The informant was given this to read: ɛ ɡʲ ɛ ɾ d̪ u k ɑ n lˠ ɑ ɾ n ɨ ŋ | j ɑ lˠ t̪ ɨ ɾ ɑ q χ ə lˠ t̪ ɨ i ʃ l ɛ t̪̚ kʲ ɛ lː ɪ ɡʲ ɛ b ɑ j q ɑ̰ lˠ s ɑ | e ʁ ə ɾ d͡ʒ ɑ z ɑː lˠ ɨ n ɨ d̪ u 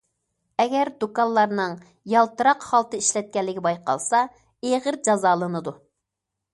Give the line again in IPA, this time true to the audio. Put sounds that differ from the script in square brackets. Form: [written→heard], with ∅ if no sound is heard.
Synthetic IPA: ɛ ɡʲ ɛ ɾ d̪ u k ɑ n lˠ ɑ ɾ n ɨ ŋ | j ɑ lˠ t̪ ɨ ɾ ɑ q χ [ə→ɑ] lˠ t̪ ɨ i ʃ l ɛ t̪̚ kʲ ɛ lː ɪ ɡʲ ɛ b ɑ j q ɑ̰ lˠ s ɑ | e ʁ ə ɾ d͡ʒ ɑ z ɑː lˠ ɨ n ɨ d̪ u

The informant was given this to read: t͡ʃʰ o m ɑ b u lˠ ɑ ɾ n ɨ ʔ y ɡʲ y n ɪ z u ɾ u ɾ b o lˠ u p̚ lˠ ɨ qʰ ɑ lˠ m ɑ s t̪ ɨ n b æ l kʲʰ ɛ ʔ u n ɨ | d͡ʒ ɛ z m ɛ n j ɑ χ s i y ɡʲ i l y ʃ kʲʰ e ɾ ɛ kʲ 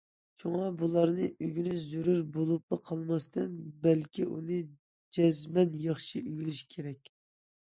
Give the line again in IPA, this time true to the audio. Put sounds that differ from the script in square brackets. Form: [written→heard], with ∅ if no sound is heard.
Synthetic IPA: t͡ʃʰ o [m→ŋ] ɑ b u lˠ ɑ ɾ n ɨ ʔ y ɡʲ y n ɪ z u ɾ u ɾ b o lˠ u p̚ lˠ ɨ qʰ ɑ lˠ m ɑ s t̪ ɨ n b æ l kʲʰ [ɛ→i] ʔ u n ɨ | d͡ʒ ɛ z m ɛ n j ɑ χ [s→ʃ] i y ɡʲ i l y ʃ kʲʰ e ɾ ɛ kʲ

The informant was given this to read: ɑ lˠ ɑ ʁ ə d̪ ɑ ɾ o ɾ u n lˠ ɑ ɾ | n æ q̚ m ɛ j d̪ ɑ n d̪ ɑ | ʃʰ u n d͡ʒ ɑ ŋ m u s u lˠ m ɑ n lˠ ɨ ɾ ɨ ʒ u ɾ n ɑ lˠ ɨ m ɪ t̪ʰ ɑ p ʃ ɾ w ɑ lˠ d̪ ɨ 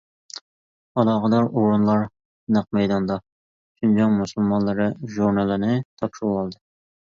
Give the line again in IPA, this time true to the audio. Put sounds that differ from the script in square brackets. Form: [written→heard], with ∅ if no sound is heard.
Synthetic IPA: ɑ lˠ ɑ ʁ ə d̪ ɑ ɾ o ɾ u n lˠ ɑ ɾ | n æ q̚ m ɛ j d̪ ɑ n d̪ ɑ | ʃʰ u n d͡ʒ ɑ ŋ m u s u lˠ m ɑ n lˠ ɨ ɾ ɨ ʒ u ɾ n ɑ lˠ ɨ [m→n] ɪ t̪ʰ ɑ p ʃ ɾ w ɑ lˠ d̪ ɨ

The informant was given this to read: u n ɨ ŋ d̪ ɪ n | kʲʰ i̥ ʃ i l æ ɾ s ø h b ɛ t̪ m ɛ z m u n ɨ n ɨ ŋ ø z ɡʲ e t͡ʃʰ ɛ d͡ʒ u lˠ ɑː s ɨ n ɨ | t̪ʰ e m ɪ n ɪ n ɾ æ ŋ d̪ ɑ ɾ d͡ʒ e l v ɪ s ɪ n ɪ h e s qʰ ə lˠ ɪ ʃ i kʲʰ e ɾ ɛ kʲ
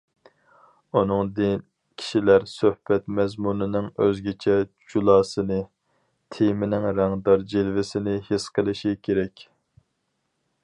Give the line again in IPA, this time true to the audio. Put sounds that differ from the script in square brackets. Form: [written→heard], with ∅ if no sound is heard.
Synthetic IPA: u n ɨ ŋ d̪ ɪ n | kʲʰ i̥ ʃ i l æ ɾ s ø h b ɛ t̪ m ɛ z m u n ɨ n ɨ ŋ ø z ɡʲ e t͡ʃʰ ɛ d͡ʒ u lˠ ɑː s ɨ n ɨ | t̪ʰ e m ɪ n ɪ [n→ŋ] ɾ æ ŋ d̪ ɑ ɾ d͡ʒ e l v ɪ s ɪ n ɪ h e s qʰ ə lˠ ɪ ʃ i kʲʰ e ɾ ɛ kʲ

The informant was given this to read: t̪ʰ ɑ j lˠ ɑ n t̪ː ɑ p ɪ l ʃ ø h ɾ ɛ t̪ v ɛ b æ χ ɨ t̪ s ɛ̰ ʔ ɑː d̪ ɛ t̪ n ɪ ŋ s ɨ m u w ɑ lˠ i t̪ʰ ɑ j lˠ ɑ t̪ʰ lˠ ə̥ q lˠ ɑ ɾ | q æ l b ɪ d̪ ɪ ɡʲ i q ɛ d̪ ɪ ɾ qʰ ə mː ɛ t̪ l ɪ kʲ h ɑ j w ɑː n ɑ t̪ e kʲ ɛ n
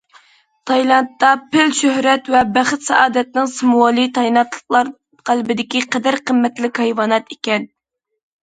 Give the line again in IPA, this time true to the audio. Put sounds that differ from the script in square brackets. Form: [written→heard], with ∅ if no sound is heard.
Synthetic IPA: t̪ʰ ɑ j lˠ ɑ n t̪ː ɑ p ɪ l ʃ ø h ɾ ɛ t̪ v ɛ b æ χ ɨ t̪ s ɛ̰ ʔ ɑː d̪ ɛ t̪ n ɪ ŋ s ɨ m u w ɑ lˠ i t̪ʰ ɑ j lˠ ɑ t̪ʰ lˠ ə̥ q lˠ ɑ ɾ | q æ l b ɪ d̪ ɪ [ɡʲ→kʲ] i q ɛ d̪ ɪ ɾ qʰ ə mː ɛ t̪ l ɪ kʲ h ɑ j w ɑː n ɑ t̪ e kʲ ɛ n

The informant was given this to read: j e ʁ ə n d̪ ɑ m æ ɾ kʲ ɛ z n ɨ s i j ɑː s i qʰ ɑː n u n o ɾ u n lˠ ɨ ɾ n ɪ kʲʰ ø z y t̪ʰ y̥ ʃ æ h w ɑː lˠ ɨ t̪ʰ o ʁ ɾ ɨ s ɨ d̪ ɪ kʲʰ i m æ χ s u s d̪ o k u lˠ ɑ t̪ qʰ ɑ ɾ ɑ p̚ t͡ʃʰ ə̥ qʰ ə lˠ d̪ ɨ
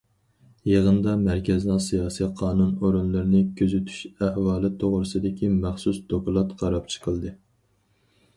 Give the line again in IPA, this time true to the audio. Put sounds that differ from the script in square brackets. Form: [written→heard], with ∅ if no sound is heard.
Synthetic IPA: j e ʁ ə n d̪ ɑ m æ ɾ kʲ ɛ z n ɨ s i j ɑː s i qʰ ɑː n u n o ɾ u n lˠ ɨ ɾ n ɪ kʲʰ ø z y t̪ʰ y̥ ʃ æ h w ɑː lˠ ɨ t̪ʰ o ʁ ɾ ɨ s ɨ d̪ ɪ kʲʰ i m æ χ s u s d̪ o k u lˠ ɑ t̪ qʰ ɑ ɾ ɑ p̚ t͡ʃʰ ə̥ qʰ ə lˠ d̪ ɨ

